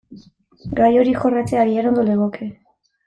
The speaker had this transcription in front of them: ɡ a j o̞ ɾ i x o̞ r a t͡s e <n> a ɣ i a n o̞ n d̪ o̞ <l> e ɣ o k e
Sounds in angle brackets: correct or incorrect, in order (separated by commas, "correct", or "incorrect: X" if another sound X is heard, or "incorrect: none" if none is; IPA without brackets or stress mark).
incorrect: none, correct